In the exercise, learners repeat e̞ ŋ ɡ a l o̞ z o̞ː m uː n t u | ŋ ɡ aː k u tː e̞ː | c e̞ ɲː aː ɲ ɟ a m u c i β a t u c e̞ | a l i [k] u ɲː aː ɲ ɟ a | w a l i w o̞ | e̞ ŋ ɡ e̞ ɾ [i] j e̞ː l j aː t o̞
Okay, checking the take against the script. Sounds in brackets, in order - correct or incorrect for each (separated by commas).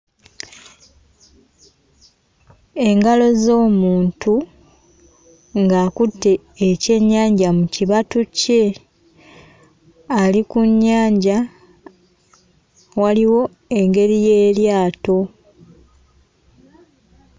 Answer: correct, correct